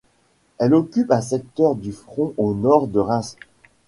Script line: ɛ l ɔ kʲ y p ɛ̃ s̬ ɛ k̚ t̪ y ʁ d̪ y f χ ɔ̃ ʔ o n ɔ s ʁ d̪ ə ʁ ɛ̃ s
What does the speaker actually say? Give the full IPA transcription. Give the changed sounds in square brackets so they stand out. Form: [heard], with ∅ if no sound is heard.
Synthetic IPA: ɛ l ɔ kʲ y p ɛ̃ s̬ ɛ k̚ t̪ [œ] ʁ d̪ y f χ ɔ̃ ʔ o n ɔ [∅] ʁ d̪ ə ʁ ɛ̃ s